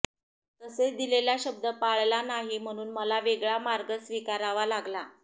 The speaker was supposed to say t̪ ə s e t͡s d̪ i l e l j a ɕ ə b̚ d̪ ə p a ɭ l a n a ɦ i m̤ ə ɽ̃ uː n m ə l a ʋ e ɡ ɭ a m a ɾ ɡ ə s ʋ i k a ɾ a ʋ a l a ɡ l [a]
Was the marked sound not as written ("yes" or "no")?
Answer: no